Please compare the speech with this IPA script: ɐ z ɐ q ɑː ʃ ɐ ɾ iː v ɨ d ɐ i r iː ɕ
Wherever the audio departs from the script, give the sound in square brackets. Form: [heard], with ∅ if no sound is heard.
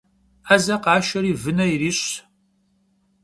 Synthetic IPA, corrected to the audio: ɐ z ɐ q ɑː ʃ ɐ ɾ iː v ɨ [n] ɐ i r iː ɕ